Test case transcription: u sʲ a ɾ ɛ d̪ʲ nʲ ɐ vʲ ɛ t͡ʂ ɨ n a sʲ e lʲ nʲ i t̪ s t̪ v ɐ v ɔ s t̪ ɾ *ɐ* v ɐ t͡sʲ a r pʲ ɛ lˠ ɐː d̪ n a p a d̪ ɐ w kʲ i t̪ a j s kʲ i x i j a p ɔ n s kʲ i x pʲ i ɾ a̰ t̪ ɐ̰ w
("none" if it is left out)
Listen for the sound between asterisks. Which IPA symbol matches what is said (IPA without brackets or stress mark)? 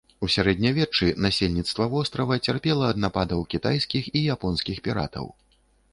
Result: ɐ